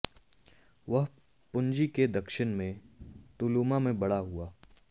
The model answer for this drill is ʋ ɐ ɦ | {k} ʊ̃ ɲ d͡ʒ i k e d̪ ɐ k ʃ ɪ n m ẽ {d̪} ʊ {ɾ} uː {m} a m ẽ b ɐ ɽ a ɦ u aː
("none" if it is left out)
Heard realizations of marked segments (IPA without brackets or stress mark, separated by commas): p, t̪, l, m